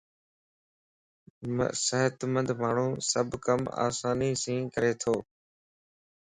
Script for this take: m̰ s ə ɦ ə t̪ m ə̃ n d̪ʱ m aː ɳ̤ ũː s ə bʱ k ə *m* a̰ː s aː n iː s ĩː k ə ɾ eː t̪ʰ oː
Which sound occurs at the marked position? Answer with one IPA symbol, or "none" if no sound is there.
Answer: m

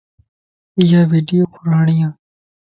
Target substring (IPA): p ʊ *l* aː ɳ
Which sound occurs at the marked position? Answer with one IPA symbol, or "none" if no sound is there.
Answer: ɾ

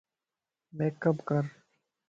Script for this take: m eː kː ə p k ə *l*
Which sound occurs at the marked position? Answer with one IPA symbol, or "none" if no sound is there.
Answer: ɾ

